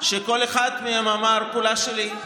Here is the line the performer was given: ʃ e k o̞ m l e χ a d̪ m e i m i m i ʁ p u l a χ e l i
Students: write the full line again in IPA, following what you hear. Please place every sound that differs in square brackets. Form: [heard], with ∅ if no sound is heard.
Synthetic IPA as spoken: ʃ e k o̞ [∅] l e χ a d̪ m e [a] m [a] m [a] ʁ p u l a [ʃ] e l i